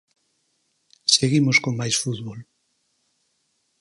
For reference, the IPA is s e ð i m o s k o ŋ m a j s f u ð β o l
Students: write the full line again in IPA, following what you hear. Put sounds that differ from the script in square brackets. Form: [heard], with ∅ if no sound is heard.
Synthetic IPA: s e [ɣ] i m o s k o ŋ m a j s f u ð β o l